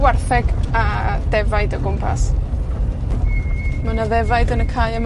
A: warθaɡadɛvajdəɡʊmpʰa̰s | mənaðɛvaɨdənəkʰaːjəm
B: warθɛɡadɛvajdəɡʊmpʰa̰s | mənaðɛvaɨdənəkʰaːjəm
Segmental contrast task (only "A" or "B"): B